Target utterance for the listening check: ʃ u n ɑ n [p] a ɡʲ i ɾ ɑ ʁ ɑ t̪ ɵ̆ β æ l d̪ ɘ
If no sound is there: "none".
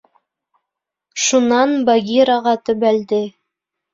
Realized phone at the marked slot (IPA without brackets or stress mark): b